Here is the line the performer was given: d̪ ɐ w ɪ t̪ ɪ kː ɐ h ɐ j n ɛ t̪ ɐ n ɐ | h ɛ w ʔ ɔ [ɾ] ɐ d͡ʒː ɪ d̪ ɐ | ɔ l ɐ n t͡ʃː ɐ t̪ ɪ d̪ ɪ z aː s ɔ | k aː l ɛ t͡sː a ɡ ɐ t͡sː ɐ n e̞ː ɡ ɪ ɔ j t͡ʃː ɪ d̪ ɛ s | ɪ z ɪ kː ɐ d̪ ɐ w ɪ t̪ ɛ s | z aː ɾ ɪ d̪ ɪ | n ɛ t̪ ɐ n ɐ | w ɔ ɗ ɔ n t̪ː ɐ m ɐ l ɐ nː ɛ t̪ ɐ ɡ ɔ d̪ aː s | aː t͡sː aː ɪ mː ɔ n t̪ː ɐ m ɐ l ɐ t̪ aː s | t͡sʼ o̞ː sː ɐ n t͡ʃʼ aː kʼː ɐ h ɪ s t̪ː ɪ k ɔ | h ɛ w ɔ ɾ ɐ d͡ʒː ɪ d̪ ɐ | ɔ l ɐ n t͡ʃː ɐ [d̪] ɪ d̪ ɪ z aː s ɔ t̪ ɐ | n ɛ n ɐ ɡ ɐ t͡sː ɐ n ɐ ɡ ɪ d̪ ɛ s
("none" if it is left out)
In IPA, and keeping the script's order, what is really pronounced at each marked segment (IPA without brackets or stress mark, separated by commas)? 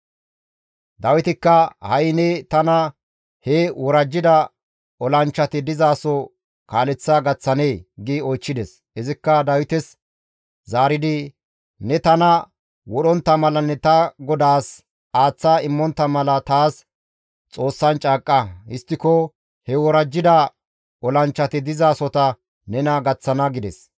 ɾ, t̪